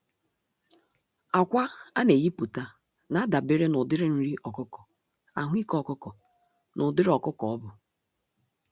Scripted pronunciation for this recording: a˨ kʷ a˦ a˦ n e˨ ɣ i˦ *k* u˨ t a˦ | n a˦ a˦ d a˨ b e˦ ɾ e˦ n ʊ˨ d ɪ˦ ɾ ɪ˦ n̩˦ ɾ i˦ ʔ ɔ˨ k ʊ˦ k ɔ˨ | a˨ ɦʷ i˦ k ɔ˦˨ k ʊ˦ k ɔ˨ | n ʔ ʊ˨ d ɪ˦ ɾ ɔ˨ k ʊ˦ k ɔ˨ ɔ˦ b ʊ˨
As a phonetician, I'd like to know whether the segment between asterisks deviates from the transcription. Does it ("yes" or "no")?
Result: yes